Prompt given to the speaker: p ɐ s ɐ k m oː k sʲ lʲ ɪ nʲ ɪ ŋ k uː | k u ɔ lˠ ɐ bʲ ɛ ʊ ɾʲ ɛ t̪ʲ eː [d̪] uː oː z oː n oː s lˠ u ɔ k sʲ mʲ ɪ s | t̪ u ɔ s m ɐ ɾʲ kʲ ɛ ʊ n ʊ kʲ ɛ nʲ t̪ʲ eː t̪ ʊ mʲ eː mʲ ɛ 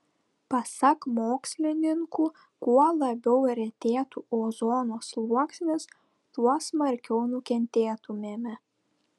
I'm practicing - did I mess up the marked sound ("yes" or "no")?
yes